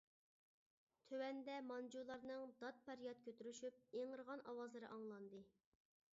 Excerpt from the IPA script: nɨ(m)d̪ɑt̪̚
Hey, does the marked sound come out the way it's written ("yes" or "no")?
no